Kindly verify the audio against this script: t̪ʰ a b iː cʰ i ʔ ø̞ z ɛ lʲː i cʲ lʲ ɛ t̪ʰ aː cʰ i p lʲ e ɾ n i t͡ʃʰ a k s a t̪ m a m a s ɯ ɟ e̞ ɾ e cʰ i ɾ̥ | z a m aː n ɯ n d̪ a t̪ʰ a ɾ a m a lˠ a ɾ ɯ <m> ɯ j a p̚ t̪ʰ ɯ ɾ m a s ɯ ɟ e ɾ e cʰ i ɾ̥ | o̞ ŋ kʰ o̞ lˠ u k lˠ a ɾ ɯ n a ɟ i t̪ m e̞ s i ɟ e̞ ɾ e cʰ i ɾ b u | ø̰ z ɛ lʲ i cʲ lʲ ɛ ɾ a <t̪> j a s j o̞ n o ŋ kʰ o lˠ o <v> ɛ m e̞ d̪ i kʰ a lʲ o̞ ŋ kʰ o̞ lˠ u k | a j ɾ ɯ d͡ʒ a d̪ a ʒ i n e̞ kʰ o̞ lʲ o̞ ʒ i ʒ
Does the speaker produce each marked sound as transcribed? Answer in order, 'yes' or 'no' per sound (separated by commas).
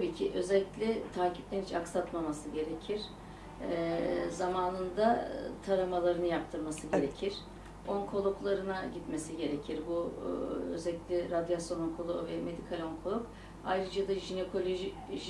no, no, yes